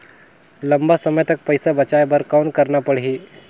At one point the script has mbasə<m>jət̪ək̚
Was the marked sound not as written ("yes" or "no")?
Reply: no